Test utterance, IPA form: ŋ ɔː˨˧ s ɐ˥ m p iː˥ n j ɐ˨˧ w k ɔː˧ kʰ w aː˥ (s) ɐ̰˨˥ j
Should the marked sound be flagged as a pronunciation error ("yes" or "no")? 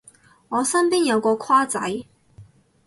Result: yes